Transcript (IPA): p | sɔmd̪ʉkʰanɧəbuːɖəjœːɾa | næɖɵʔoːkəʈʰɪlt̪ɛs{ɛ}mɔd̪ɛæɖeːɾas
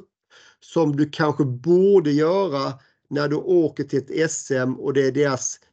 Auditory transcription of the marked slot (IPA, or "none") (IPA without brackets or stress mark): ɛ